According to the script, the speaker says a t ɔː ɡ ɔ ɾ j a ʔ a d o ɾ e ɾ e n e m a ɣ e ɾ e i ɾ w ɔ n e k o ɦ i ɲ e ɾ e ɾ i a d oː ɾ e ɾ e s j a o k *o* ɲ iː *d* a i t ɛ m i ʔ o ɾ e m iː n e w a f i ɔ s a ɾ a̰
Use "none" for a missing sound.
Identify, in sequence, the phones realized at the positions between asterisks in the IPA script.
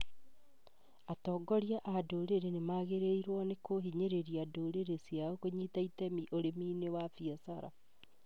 o, t

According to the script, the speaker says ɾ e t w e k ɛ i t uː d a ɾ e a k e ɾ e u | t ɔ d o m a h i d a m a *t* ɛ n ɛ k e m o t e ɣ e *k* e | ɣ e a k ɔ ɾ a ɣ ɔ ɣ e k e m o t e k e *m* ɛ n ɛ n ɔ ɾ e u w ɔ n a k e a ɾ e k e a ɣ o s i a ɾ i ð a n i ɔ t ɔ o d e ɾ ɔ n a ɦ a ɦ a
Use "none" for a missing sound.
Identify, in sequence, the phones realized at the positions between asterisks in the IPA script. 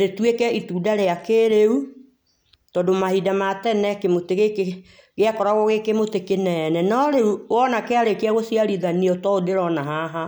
t, k, n

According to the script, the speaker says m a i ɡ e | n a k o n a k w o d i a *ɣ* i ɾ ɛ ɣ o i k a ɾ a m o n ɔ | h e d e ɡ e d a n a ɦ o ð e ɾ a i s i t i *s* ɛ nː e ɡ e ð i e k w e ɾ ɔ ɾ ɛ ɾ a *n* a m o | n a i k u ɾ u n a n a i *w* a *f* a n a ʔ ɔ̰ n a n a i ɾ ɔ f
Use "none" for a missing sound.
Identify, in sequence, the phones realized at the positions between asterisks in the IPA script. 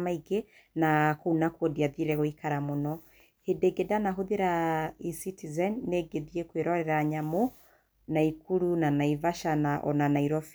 ð, z, ɲ, v, ʃ

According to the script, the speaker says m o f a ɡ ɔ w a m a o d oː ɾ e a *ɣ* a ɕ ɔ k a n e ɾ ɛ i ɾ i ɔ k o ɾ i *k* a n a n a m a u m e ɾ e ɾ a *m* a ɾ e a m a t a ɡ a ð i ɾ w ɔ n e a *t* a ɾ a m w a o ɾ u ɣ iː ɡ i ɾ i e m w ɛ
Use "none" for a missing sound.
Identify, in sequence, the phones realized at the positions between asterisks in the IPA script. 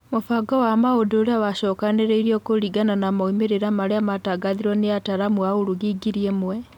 w, ɡ, m, t

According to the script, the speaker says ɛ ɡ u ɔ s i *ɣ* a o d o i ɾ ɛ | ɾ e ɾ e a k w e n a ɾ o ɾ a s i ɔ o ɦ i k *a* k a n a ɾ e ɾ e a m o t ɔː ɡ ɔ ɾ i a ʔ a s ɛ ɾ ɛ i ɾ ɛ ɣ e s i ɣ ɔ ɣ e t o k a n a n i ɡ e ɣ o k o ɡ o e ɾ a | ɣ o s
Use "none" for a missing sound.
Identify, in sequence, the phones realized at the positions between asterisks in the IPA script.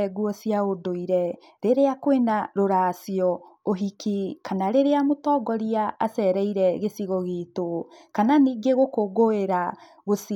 none, i

